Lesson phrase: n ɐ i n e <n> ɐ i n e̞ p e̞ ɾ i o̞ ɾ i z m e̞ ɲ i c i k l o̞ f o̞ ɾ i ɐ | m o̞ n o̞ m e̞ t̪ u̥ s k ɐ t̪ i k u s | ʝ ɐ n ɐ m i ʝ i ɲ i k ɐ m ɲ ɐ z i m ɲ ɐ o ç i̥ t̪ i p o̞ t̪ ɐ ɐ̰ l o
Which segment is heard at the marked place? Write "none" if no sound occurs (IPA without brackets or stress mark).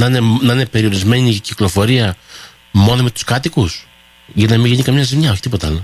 n